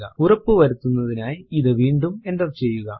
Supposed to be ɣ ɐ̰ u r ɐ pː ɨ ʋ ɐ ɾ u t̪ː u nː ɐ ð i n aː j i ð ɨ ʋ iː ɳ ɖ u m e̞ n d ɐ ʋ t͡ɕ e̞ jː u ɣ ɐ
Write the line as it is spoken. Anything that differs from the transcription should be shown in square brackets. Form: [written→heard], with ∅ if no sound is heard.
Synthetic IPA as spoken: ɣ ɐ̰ u r ɐ pː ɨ ʋ ɐ ɾ u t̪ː u nː ɐ ð i n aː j i ð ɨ ʋ iː ɳ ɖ u m e̞ n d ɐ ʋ t͡ɕ e̞ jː u ɣ ɐ